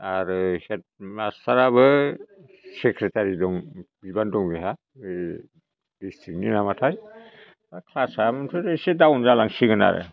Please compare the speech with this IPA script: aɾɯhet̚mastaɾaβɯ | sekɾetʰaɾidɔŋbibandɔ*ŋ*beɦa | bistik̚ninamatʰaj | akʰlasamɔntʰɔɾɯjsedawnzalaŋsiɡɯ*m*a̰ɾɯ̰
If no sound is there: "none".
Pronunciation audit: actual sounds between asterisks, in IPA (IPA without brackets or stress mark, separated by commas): ŋ, n